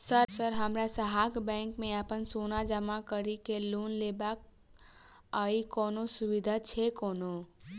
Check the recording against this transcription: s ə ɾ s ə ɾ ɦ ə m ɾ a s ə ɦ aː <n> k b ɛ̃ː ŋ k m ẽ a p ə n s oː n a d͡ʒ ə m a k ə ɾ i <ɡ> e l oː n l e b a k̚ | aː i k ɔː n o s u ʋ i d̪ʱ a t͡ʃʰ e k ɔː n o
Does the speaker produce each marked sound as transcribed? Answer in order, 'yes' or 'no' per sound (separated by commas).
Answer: no, no